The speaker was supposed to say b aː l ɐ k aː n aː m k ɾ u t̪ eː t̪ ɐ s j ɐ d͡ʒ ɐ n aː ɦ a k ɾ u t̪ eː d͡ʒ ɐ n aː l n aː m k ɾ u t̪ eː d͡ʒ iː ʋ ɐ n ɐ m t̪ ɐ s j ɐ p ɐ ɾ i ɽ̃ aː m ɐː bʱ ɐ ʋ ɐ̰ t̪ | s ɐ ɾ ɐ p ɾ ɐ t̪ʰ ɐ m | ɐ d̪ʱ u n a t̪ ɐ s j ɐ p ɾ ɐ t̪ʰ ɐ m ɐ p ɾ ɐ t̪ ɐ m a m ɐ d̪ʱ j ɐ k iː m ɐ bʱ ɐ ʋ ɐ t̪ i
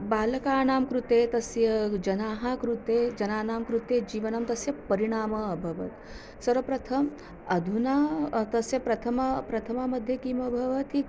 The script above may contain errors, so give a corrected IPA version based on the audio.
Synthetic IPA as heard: b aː l ɐ k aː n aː m k ɾ u t̪ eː t̪ ɐ s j ɐ d͡ʒ ɐ n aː ɦ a k ɾ u t̪ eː d͡ʒ ɐ n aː n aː m k ɾ u t̪ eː d͡ʒ iː ʋ ɐ n ɐ m t̪ ɐ s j ɐ p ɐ ɾ i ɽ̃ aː m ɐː bʱ ɐ ʋ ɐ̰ t̪ | s ɐ ɾ ɐ p ɾ ɐ t̪ʰ ɐ m | ɐ d̪ʱ u n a t̪ ɐ s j ɐ p ɾ ɐ t̪ʰ ɐ m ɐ p ɾ ɐ t̪ʰ ɐ m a m ɐ d̪ʱ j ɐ k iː m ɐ bʱ ɐ ʋ ɐ t̪ i